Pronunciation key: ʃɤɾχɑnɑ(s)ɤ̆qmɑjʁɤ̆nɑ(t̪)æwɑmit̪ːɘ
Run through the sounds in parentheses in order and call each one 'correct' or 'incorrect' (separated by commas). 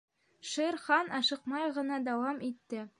incorrect, incorrect